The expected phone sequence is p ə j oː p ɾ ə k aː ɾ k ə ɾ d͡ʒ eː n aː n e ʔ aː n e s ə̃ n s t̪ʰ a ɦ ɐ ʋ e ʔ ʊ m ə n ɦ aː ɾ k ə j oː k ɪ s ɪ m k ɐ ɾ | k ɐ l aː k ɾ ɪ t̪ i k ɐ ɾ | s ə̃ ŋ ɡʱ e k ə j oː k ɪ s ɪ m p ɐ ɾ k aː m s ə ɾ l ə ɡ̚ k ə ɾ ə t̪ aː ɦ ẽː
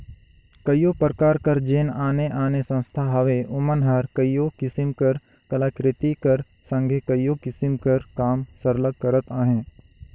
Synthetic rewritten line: k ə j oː p ɾ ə k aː ɾ k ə ɾ d͡ʒ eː n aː n e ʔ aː n e s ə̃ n s t̪ʰ a ɦ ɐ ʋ e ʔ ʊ m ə n ɦ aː ɾ k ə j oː k ɪ s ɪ m k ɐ ɾ | k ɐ l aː k ɾ ɪ t̪ i k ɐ ɾ | s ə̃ ŋ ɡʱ e k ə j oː k ɪ s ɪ m k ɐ ɾ k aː m s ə ɾ l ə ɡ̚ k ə ɾ ə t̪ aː ɦ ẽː

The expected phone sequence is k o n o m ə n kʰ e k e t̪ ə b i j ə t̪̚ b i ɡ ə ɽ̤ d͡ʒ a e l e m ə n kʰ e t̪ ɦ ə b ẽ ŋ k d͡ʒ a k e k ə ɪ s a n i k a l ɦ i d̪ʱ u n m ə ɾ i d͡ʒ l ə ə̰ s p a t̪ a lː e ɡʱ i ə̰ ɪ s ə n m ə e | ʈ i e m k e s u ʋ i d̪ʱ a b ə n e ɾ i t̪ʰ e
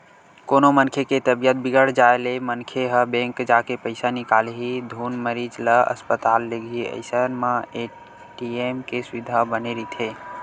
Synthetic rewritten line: k o n o m ə n kʰ e k e t̪ ə b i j ə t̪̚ b i ɡ ə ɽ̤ d͡ʒ a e l e m ə n kʰ e ɦ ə b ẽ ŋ k d͡ʒ a k e p ə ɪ s a n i k a l ɦ i d̪ʱ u n m ə ɾ i d͡ʒ l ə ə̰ s p ə t̪ a lː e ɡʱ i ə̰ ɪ s ə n m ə e | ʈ i e m k e s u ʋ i d̪ʱ a b ə n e ɾ i t̪ʰ e

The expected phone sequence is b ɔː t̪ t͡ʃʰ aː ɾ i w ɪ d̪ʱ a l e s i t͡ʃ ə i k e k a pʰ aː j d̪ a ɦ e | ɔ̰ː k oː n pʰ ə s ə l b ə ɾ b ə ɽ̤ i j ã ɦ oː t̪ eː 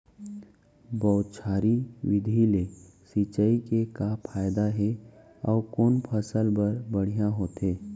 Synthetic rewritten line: b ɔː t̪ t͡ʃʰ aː ɾ i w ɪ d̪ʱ i l e s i t͡ʃ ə i k e k a pʰ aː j d̪ a ɦ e | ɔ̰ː k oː n pʰ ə s ə l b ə ɾ b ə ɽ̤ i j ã ɦ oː t̪ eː

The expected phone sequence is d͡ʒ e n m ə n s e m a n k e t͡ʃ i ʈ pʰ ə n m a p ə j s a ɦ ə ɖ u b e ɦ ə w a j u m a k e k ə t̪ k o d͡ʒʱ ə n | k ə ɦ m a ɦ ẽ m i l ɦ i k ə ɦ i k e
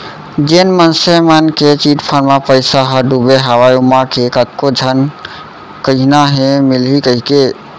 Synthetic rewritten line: d͡ʒ e n m ə n s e m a n k e t͡ʃ i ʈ pʰ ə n m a p ə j s a ɦ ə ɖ u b e ɦ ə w a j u m a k e k ə t̪ k o d͡ʒʱ ə n | k ə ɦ n a ɦ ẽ m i l ɦ i k ə ɦ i k e

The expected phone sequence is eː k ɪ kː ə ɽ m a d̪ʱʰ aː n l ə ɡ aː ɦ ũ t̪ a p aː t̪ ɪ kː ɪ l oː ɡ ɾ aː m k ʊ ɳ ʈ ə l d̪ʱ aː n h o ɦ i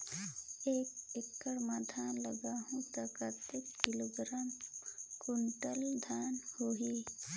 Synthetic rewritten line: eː k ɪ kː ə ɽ m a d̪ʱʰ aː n l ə ɡ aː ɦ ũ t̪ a k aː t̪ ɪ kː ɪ l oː ɡ ɾ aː m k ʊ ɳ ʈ ə l d̪ʱ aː n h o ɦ i

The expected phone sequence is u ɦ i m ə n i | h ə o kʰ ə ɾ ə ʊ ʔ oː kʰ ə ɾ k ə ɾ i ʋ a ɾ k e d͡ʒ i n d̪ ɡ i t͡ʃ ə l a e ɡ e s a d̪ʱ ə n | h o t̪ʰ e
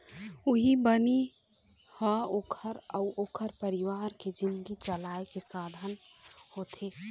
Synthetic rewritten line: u ɦ i b ə n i | h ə o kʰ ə ɾ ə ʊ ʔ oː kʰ ə ɾ p ə ɾ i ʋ a ɾ k e d͡ʒ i n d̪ ɡ i t͡ʃ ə l a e k e s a d̪ʱ ə n | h o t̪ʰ e

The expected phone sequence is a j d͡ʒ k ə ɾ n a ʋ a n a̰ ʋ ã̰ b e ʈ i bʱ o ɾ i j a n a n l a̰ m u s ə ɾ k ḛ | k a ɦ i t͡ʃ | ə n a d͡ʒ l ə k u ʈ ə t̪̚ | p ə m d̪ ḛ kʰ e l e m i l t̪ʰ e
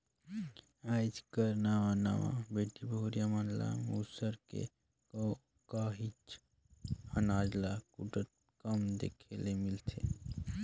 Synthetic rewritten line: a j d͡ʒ k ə ɾ n a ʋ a n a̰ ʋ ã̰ b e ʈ i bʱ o ɾ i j a m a n l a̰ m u s ə ɾ k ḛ | k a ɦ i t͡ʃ | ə n a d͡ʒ l a k u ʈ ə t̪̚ | k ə m d̪ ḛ kʰ e l e m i l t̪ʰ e

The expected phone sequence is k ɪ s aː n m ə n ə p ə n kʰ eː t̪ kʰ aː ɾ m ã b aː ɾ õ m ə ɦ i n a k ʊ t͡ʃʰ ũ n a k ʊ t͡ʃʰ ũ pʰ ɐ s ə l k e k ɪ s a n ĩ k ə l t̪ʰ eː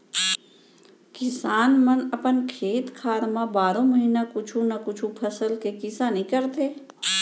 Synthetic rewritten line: k ɪ s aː n m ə n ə p ə n kʰ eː t̪ kʰ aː ɾ m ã b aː ɾ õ m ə ɦ i n a k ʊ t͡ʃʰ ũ n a k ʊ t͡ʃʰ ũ pʰ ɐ s ə l k e k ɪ s a n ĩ k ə ɾ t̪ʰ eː

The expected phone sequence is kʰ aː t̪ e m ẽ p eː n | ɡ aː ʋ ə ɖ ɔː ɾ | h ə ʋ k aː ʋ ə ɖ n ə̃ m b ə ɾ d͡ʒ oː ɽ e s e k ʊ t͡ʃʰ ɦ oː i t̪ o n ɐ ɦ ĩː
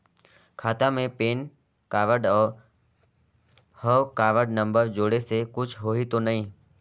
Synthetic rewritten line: kʰ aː t̪ a m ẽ p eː n | k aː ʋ ə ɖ ɔː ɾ | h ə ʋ k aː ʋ ə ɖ n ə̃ m b ə ɾ d͡ʒ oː ɽ e s e k ʊ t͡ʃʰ ɦ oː i t̪ o n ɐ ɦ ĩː

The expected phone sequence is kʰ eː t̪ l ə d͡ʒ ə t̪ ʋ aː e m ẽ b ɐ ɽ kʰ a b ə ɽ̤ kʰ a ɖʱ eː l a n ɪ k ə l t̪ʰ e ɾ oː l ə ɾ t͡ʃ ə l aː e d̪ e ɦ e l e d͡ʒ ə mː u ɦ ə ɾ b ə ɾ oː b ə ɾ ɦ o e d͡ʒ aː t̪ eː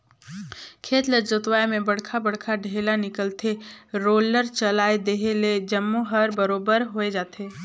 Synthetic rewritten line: kʰ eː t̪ l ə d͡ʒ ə t̪ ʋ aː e m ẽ b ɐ ɽ kʰ a b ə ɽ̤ kʰ a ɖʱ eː l a n ɪ k ə l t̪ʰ e ɾ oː l ə ɾ t͡ʃ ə l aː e d̪ e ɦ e l e d͡ʒ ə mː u ɦ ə ɾ b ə ɾ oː b ə ɾ ɦ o e d͡ʒ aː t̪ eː

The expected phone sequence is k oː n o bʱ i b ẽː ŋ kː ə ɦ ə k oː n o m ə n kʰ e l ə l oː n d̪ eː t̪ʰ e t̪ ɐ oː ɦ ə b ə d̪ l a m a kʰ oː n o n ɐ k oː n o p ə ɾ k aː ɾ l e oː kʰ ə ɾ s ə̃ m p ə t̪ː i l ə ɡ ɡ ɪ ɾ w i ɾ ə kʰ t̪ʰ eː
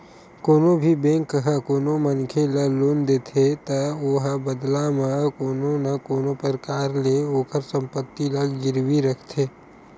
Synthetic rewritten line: k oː n o bʱ i b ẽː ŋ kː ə ɦ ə k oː n o m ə n kʰ e l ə l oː n d̪ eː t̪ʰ e t̪ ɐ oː ɦ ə b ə d̪ l a m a k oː n o n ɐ k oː n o p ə ɾ k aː ɾ l e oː k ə ɾ s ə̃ m p ə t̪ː i l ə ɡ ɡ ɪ ɾ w i ɾ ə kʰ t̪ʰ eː

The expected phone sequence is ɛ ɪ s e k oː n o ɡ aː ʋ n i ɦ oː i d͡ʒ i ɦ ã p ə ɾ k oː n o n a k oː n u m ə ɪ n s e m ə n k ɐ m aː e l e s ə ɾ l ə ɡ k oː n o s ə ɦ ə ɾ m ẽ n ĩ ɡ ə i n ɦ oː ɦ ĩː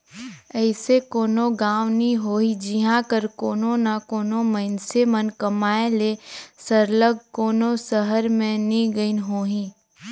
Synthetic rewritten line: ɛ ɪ s e k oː n o ɡ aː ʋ n i ɦ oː i d͡ʒ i ɦ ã k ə ɾ k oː n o n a k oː n o m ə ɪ n s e m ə n k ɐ m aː e l e s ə ɾ l ə ɡ k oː n o s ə ɦ ə ɾ m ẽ n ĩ ɡ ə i n ɦ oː ɦ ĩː

